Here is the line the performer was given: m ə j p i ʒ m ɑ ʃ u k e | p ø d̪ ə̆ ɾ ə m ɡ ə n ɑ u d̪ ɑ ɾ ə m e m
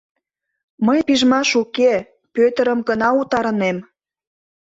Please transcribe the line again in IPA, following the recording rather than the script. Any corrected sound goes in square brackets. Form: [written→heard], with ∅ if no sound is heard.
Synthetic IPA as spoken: m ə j p i ʒ m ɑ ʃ u k e | p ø [d̪→t̪] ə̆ ɾ ə m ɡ ə n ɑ u [d̪→t̪] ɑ ɾ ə [m→n] e m